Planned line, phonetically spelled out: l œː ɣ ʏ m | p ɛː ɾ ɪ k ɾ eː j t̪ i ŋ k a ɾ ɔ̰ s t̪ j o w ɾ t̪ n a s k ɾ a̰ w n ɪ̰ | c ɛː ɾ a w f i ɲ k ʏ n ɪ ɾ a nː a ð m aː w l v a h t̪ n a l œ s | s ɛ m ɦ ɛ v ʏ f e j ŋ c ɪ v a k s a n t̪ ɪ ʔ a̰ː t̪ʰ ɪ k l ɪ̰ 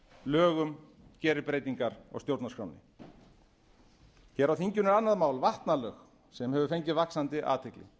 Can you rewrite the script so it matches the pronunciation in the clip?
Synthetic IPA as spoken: l œː ɣ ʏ m | c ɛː ɾ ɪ p ɾ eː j t̪ i ŋ k a ɾ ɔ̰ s t̪ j o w ɾ t̪ n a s k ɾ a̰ w n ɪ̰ | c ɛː ɾ a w θ i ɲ c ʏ n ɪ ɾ a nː a ð m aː w l v a h t̪ n a l œ x | s ɛ m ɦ ɛ v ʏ f e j ɲ c ɪ v a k s a n t̪ ɪ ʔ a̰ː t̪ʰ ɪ k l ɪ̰